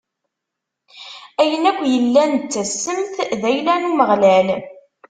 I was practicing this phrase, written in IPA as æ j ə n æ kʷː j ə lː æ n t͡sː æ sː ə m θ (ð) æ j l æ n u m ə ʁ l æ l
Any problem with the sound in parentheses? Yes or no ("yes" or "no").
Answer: no